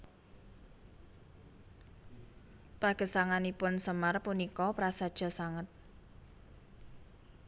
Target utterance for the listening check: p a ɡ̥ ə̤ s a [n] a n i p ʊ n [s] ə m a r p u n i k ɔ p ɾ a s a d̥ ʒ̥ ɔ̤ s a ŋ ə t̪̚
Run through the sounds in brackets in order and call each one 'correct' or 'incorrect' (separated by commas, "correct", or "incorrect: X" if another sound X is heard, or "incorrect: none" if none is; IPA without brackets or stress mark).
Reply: incorrect: ŋ, correct